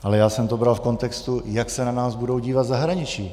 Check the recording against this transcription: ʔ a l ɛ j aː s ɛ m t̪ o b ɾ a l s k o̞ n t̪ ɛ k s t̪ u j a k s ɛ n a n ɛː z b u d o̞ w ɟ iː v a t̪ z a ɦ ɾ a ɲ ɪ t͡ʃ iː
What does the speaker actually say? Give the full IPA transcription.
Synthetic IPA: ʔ a l ɛ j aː s ɛ m t̪ o b ɾ a l f k o̞ n t̪ ɛ k s t̪ u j a k s ɛ n a n aː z b u d o̞ w ɟ iː v a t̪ z a ɦ ɾ a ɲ ɪ t͡ʃ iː